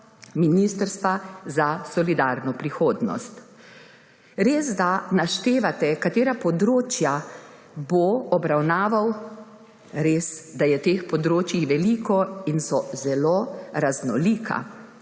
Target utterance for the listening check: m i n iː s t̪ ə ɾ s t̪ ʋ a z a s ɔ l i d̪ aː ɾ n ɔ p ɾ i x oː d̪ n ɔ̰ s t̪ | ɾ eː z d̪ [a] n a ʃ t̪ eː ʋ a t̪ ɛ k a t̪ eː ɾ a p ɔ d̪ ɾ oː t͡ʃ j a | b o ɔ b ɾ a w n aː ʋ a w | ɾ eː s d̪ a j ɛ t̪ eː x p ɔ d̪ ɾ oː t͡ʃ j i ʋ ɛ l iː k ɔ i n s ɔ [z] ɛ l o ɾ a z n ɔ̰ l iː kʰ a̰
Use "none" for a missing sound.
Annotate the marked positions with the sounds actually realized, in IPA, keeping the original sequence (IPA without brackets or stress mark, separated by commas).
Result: a, z